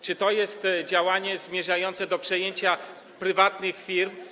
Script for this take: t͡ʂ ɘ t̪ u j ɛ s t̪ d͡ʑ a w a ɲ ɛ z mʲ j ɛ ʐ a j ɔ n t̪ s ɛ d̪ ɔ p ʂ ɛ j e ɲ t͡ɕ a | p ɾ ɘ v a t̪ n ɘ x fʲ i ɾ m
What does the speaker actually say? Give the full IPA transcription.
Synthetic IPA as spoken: t͡ʂ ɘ t̪ ɔ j ɛ s t̪ d͡ʑ a w a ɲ ɛ z mʲ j ɛ ʐ a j ɔ n t̪ s ɛ d̪ ɔ p ʂ ɛ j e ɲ t͡ɕ a | p ɾ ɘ v a t̪ n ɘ x fʲ i ɾ m